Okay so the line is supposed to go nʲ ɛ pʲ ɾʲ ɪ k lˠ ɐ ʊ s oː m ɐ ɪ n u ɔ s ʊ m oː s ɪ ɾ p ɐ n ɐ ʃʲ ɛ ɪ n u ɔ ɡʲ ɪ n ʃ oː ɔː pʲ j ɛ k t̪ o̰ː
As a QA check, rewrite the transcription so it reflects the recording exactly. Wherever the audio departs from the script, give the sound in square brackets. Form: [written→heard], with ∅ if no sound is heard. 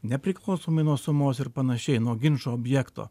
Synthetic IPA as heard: nʲ ɛ pʲ ɾʲ ɪ k lˠ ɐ ʊ s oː m ɐ ɪ n u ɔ s ʊ m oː s ɪ ɾ p ɐ n ɐ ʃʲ ɛ ɪ n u ɔ ɡʲ ɪ n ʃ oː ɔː [pʲ→bʲ] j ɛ k t̪ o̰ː

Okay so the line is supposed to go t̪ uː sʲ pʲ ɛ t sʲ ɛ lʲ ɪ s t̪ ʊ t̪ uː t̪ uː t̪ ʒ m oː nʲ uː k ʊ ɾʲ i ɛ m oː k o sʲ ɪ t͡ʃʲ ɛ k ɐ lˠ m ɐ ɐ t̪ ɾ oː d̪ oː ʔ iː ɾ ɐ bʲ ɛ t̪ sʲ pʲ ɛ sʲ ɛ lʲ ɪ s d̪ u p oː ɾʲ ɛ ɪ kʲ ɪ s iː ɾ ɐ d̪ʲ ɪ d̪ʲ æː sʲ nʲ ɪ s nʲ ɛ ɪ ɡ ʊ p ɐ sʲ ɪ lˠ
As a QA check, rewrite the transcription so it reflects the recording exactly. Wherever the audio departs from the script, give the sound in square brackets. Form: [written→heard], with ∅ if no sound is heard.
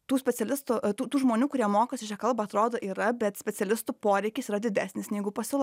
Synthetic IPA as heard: t̪ uː sʲ pʲ ɛ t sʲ ɛ lʲ ɪ s t̪ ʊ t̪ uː t̪ uː [t̪→∅] ʒ m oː nʲ uː k ʊ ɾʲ i ɛ m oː k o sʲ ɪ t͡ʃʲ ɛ k ɐ lˠ [m→b] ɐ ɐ t̪ ɾ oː d̪ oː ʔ iː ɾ ɐ bʲ ɛ t̪ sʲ pʲ ɛ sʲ ɛ lʲ ɪ s [d̪→t̪] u p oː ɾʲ ɛ ɪ kʲ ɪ s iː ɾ ɐ d̪ʲ ɪ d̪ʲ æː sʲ nʲ ɪ s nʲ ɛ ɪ ɡ ʊ p ɐ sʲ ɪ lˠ

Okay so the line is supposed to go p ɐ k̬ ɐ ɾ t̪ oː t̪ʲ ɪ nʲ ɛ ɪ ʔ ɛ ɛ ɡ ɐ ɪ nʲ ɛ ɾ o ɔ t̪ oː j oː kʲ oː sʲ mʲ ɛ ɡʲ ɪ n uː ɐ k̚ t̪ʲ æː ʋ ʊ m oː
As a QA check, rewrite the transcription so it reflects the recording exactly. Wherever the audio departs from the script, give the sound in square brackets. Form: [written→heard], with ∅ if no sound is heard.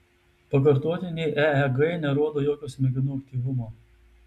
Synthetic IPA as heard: p ɐ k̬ ɐ ɾ t̪ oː t̪ʲ ɪ nʲ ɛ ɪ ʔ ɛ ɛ ɡ ɐ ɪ nʲ ɛ ɾ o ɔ [t̪→d̪] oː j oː kʲ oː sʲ mʲ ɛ ɡʲ ɪ n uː ɐ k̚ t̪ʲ [æː→iː] ʋ ʊ m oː

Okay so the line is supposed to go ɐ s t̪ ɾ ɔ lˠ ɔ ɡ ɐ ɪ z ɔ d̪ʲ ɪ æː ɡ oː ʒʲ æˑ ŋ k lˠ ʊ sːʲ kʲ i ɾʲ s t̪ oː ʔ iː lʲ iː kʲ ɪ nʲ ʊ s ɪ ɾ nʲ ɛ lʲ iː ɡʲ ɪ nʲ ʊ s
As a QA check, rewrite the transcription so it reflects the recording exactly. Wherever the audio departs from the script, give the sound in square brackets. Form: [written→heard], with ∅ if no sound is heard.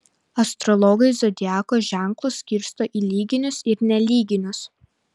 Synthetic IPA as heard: ɐ s t̪ ɾ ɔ lˠ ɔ ɡ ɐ ɪ z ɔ d̪ʲ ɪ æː [ɡ→k] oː ʒʲ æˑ ŋ k lˠ ʊ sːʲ kʲ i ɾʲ s t̪ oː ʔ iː lʲ iː [kʲ→ɡʲ] ɪ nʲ ʊ s ɪ ɾ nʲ ɛ lʲ iː ɡʲ ɪ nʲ ʊ s

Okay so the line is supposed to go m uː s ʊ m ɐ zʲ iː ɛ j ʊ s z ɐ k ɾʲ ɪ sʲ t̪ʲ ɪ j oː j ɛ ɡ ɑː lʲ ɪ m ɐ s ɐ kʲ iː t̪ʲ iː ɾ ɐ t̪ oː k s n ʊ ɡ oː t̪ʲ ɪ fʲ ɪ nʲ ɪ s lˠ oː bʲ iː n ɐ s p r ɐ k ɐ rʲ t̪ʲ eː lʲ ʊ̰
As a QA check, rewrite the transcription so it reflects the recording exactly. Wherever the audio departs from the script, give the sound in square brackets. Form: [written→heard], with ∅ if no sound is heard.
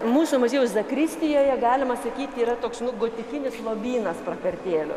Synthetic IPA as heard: m uː s ʊ m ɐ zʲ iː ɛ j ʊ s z ɐ k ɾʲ ɪ sʲ t̪ʲ ɪ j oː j ɛ ɡ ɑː lʲ ɪ m ɐ s ɐ kʲ iː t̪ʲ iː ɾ ɐ t̪ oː k s n ʊ ɡ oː t̪ʲ ɪ fʲ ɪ nʲ ɪ s lˠ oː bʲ iː n ɐ s p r ɐ k ɐ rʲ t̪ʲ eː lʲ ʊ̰

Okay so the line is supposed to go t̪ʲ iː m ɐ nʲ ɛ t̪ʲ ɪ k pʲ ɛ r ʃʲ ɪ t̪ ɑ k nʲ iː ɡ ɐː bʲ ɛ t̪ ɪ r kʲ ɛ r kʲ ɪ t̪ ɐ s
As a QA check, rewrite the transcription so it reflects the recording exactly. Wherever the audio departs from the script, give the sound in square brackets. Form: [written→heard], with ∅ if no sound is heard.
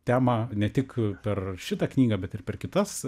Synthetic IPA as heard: t̪ʲ [iː→æː] m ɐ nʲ ɛ t̪ʲ ɪ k pʲ ɛ r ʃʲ ɪ t̪ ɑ k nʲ iː ɡ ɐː bʲ ɛ t̪ ɪ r [kʲ→pʲ] ɛ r kʲ ɪ t̪ ɐ s

